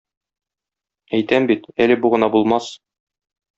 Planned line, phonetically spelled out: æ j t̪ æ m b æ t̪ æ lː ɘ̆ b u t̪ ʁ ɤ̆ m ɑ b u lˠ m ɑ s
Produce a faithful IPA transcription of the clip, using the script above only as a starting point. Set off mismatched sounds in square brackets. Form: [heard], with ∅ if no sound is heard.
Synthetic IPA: æ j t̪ æ m b [i] t̪ æ [l] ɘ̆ b u [∅] ʁ ɤ̆ [n] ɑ b u lˠ m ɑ s